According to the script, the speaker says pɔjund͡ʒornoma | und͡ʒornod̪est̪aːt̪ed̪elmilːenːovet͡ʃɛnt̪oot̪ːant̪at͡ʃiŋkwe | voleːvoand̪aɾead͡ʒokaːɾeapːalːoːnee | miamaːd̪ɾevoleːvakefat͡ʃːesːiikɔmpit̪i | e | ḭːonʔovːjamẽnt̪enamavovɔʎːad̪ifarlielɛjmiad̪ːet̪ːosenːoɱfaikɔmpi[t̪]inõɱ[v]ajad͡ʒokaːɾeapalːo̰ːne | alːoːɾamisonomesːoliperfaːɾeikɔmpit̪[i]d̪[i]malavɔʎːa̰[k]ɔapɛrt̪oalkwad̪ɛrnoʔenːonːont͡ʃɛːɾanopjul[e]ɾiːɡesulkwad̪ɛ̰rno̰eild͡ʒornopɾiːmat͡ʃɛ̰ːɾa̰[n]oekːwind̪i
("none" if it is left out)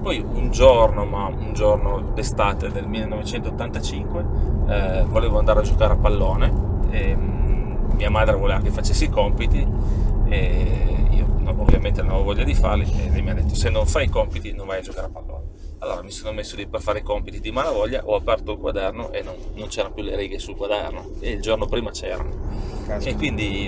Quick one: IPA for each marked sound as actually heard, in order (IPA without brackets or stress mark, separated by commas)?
t̪, v, i, i, ʔ, e, n